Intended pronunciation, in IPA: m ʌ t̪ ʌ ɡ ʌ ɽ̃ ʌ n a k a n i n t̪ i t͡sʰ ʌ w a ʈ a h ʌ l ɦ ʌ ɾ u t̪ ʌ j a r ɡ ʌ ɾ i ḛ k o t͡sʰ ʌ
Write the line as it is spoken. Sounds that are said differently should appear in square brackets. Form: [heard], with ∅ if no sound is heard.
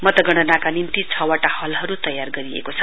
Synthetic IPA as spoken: m ʌ t̪ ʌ ɡ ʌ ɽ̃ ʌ n a k a n i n t̪ i t͡sʰ ʌ w a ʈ a h ʌ l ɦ ʌ ɾ u t̪ ʌ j a r ɡ ʌ ɾ i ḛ k o t͡sʰ ʌ